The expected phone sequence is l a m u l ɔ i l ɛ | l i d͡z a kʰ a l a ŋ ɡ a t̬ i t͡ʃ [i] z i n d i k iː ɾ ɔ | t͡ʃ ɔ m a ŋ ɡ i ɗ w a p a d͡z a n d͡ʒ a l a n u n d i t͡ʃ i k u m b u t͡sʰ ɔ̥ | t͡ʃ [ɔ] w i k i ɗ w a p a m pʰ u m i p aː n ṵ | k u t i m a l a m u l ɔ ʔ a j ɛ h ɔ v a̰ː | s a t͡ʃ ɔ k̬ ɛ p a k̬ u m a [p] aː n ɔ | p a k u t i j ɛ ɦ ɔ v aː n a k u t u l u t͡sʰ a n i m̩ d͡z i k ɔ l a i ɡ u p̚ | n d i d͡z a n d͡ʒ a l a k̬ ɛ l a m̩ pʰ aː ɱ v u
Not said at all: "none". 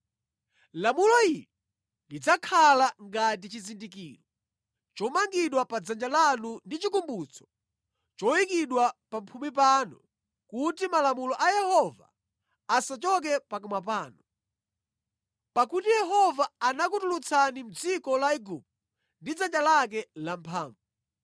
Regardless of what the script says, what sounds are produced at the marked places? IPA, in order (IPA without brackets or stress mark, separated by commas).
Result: i, ɔ, p